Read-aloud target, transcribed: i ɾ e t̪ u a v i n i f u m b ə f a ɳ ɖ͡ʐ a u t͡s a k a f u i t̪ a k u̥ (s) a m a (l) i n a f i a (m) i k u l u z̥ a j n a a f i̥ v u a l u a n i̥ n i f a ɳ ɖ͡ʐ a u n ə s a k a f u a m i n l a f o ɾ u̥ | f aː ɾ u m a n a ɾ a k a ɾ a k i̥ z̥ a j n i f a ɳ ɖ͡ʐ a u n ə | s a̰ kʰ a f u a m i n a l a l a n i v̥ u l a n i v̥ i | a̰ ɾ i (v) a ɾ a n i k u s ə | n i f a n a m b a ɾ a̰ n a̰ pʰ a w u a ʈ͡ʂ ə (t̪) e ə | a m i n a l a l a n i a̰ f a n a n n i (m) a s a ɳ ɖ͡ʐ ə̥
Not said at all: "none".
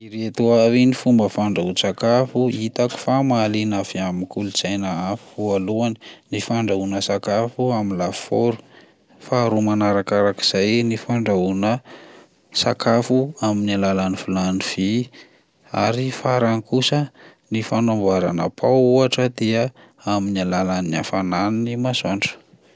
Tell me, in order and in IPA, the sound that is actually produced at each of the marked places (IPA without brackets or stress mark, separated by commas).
f, l, m, f, d̪, m